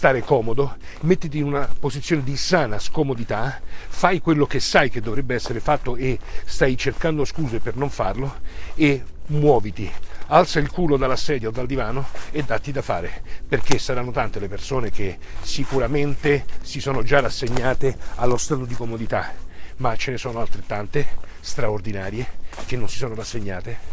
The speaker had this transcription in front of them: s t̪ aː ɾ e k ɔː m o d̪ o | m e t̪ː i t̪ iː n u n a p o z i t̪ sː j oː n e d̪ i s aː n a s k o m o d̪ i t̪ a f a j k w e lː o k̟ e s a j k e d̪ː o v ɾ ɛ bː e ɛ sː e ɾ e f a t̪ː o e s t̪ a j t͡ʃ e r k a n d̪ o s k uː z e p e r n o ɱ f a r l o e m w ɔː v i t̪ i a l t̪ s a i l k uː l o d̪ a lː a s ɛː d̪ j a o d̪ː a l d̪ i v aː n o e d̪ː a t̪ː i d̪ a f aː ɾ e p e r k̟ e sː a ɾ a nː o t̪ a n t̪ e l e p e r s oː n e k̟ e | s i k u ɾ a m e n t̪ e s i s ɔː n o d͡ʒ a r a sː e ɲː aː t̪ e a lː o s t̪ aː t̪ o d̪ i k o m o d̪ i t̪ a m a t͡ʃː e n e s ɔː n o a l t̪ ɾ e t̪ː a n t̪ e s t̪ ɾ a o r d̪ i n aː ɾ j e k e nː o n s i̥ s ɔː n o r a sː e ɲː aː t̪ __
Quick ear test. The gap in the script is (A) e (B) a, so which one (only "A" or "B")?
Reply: A